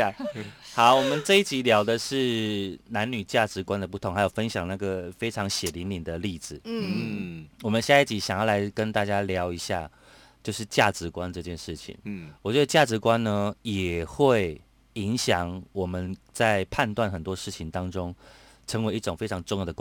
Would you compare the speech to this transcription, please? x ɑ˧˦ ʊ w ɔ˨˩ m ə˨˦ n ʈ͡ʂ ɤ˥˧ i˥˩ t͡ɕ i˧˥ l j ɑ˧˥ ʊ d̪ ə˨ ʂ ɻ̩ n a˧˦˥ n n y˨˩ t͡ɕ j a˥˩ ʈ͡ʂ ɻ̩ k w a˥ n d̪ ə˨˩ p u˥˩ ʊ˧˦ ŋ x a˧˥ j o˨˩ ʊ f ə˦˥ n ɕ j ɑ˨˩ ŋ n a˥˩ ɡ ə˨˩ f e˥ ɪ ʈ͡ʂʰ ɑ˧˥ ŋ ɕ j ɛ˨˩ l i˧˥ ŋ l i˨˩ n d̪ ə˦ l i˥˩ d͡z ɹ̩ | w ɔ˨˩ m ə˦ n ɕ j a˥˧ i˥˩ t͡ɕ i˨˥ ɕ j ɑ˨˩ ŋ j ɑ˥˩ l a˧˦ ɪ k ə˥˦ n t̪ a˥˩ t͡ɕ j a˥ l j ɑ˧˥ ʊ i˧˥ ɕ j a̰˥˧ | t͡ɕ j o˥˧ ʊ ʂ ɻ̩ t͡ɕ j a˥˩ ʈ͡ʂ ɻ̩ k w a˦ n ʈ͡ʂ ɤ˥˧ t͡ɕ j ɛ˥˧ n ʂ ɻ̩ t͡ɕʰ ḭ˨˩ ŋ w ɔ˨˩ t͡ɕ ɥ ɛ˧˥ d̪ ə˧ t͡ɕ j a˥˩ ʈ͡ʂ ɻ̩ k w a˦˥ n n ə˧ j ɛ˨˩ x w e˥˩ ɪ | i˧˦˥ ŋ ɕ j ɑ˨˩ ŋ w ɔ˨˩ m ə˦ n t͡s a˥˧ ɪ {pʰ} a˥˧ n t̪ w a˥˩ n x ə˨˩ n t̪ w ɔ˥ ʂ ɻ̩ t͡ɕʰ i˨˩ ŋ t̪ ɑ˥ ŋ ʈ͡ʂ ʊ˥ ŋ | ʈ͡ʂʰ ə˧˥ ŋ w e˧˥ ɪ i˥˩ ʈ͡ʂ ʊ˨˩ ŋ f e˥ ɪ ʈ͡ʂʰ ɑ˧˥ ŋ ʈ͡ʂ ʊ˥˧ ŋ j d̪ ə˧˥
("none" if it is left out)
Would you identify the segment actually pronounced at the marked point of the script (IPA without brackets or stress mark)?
pʰ